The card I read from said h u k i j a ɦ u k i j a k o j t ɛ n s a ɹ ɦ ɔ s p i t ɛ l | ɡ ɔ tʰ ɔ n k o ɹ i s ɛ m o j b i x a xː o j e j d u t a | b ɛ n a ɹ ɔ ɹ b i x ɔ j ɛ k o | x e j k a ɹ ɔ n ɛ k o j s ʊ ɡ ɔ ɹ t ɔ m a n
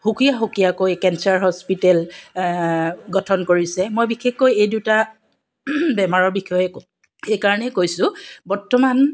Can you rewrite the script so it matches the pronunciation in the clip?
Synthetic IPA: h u k i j a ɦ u k i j a k o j k ɛ n s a ɹ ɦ ɔ s p i t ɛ l | ɡ ɔ tʰ ɔ n k o ɹ i s ɛ m o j b i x e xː o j e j d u t a | b ɛ m a ɹ ɔ ɹ b i x ɔ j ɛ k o | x e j k a ɹ ɔ n ɛ k o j s ʊ b ɔ ɹ t ɔ m a n